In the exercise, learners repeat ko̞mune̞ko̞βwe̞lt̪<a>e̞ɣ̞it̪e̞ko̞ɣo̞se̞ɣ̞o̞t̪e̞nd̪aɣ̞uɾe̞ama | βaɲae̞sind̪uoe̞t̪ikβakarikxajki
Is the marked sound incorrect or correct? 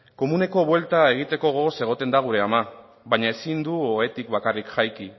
correct